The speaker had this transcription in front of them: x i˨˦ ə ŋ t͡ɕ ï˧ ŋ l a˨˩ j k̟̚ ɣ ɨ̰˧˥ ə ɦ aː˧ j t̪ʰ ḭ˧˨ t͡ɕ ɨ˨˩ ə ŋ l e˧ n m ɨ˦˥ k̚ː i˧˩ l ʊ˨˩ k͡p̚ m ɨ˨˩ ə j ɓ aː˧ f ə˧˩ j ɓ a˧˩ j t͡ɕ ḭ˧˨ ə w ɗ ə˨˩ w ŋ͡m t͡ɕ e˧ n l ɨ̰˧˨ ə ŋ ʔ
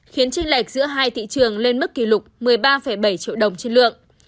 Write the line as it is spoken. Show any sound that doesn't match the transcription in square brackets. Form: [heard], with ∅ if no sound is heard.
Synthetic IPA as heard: x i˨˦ ə [n] t͡ɕ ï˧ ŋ l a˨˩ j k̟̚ [z] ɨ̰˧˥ ə ɦ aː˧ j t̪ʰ ḭ˧˨ t͡ɕ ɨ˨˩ ə ŋ l e˧ n m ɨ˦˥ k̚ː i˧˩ l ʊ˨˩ k͡p̚ m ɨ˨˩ ə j ɓ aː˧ f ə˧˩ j ɓ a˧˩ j t͡ɕ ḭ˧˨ ə w ɗ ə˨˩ w ŋ͡m t͡ɕ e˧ n l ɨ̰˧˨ ə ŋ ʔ

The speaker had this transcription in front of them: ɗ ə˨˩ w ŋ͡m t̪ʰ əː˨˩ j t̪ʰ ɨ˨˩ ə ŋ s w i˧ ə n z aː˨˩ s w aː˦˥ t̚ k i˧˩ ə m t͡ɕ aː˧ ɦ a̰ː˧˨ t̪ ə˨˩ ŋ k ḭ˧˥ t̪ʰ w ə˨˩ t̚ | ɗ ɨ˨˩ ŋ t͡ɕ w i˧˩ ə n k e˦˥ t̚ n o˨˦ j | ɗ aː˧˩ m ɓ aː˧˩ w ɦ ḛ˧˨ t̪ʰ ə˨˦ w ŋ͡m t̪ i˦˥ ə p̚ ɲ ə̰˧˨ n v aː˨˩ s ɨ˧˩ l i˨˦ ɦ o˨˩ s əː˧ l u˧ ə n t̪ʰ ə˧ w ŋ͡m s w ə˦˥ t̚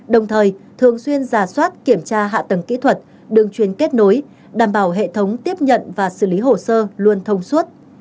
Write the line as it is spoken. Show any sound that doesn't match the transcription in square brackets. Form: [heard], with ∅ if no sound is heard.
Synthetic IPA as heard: ɗ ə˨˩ w ŋ͡m t̪ʰ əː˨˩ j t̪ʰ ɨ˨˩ ə ŋ s w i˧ ə n z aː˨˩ s w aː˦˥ t̚ k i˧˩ ə m t͡ɕ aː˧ ɦ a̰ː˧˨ t̪ ə˨˩ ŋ k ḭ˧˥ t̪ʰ w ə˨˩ t̚ | ɗ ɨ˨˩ ŋ t͡ɕ w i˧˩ ə n k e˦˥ t̚ n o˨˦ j | ɗ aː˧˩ m ɓ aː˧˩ w ɦ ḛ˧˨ t̪ʰ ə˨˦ w ŋ͡m t̪ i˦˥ ə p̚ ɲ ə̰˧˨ n v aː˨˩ s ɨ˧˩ l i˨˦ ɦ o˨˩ s əː˧ l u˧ ə n t̪ʰ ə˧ w ŋ͡m s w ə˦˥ t̚

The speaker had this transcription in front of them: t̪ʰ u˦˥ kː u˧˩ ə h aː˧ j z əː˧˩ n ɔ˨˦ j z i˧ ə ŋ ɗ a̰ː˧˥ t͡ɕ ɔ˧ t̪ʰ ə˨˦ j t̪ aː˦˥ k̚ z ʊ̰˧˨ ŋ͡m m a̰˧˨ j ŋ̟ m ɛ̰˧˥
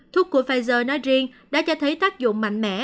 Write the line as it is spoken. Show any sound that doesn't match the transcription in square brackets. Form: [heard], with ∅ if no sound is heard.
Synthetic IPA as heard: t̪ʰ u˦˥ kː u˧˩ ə [f] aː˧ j z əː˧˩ n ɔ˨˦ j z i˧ ə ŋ ɗ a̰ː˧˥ t͡ɕ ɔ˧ t̪ʰ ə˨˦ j t̪ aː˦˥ k̚ z ʊ̰˧˨ ŋ͡m m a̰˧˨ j ŋ̟ m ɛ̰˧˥

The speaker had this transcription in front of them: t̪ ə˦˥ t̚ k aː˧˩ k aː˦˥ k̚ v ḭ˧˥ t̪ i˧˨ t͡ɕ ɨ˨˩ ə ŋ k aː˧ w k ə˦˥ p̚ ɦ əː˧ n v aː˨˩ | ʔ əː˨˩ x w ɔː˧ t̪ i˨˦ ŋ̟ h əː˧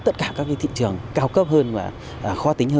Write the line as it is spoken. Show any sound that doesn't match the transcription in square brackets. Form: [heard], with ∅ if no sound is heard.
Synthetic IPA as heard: t̪ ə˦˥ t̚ k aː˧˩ k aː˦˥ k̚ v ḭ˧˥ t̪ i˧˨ t͡ɕ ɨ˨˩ ə ŋ k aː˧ w k ə˦˥ p̚ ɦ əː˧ n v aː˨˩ | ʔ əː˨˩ x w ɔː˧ t̪ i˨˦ ŋ̟ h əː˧

